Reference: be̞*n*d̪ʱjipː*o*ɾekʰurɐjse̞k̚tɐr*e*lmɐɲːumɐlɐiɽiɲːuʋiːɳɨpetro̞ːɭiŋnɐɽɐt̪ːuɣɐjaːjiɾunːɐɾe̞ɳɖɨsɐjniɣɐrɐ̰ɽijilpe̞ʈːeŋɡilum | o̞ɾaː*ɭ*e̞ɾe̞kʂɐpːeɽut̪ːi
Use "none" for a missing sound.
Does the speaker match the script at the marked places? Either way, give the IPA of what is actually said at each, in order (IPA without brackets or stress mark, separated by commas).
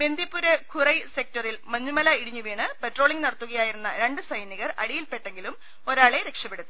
n, u, i, ɭ